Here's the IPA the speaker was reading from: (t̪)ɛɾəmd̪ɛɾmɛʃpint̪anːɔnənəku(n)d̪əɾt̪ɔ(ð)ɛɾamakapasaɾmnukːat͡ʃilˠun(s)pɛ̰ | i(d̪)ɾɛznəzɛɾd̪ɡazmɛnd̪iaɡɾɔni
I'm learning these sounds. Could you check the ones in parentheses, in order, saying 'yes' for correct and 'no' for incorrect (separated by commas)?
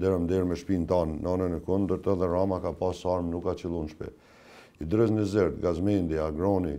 no, yes, yes, no, yes